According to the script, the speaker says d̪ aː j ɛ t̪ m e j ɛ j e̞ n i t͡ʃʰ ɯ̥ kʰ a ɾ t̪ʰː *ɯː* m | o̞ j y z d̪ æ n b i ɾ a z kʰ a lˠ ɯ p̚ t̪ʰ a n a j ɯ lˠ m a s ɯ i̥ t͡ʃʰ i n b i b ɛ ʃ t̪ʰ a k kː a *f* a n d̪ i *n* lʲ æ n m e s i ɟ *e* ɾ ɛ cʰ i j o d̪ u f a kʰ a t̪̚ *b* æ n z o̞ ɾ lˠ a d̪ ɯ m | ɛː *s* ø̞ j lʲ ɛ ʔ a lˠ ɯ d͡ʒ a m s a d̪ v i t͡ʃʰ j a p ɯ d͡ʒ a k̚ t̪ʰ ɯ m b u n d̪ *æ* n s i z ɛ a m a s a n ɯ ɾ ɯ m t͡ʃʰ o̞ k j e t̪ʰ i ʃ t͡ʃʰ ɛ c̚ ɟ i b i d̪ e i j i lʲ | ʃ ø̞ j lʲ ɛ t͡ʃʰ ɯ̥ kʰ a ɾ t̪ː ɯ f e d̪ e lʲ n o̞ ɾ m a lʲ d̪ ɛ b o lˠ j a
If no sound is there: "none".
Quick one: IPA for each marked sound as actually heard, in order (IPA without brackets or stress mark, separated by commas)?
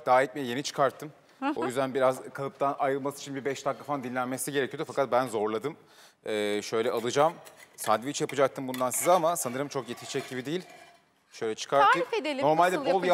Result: ɯ, f, n, e, b, ʃ, a